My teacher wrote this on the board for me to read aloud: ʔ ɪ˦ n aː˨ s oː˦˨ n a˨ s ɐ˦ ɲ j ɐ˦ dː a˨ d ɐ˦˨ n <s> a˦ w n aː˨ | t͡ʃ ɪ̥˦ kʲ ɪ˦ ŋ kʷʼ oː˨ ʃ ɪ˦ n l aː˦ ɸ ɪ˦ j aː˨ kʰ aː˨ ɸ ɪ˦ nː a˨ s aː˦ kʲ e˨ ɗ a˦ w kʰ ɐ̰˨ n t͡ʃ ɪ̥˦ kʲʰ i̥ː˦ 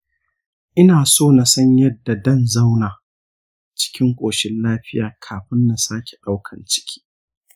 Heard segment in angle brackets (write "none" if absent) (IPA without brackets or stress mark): z